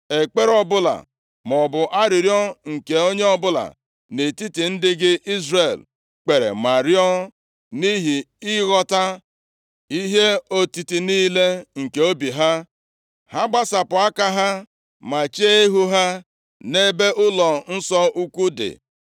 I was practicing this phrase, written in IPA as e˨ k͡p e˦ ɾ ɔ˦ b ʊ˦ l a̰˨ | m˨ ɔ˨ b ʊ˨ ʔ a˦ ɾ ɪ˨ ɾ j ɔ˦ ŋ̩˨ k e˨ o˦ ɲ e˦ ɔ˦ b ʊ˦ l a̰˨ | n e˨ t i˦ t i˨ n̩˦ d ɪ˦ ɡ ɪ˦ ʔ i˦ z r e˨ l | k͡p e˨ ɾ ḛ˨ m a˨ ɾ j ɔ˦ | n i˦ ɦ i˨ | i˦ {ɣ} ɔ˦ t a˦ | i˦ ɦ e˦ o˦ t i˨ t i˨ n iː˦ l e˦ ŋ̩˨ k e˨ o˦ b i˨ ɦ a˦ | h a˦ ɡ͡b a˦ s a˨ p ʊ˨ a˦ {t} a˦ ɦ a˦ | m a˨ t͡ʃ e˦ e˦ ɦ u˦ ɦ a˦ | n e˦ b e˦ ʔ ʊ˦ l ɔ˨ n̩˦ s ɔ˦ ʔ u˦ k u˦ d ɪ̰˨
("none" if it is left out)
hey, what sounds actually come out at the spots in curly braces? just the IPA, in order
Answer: ɣ, k

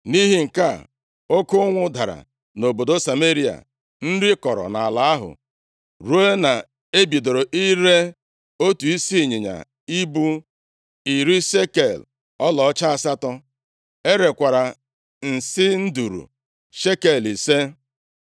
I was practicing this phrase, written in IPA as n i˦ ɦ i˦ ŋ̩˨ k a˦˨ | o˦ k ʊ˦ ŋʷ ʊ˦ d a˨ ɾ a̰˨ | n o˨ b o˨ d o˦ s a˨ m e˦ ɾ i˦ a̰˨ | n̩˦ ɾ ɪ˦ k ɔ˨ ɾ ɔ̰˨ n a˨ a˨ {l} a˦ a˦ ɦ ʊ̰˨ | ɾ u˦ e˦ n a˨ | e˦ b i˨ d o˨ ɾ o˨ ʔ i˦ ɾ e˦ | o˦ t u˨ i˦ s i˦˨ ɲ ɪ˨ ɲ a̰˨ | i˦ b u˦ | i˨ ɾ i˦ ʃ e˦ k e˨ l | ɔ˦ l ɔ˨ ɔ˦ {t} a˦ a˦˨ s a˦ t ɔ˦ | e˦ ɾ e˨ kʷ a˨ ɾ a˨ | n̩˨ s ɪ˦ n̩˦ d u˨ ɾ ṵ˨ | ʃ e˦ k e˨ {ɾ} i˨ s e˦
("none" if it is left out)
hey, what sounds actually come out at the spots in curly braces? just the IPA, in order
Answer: l, t͡ʃ, l

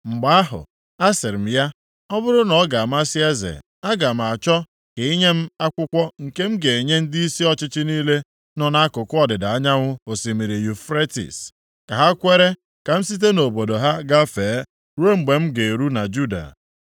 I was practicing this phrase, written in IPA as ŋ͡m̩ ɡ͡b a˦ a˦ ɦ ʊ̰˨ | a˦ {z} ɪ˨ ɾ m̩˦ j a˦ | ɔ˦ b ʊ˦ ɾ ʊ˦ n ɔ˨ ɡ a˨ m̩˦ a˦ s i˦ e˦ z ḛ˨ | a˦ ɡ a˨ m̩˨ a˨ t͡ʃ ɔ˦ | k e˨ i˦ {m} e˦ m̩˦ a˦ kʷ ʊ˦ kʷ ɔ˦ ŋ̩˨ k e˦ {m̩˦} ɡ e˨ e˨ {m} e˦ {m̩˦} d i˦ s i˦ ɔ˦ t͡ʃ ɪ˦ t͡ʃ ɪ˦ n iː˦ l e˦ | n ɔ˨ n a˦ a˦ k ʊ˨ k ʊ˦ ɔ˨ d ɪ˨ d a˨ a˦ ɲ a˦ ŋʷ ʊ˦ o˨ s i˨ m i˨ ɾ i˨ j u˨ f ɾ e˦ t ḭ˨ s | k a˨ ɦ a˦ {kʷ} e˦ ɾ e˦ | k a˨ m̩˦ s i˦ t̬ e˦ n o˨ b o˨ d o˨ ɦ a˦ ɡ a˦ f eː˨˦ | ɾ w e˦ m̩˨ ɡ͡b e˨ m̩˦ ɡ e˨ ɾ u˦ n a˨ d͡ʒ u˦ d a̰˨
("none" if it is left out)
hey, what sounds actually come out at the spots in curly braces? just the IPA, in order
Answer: s, ɲ, m̩˦, ɲ, n̩˦, kʷ

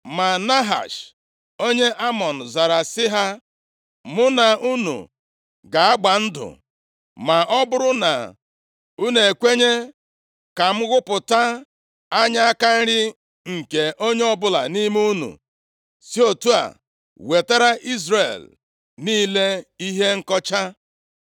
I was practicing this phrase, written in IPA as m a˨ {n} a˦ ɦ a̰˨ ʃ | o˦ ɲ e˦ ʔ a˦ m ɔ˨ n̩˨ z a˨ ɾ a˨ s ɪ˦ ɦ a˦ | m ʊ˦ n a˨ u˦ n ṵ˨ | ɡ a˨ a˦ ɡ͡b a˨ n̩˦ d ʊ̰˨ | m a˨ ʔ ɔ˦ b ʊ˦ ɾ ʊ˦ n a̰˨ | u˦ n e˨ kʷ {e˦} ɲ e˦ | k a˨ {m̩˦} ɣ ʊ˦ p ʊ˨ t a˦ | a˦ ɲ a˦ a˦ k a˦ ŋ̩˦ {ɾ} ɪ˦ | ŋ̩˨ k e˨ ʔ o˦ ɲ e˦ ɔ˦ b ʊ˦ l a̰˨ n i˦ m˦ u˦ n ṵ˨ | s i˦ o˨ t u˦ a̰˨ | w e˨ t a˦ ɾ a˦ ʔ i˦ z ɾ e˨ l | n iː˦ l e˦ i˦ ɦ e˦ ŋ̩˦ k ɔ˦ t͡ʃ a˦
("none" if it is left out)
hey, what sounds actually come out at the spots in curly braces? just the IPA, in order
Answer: n, e˦, m̩˦, ɾ

